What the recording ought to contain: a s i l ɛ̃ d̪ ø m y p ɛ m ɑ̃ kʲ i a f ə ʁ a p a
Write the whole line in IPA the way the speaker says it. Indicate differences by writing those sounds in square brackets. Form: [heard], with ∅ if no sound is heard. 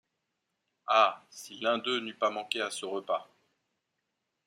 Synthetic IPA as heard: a s i l ɛ̃ d̪ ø [n] y p [a] m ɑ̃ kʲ [e] a [s] ə ʁ [ə] p a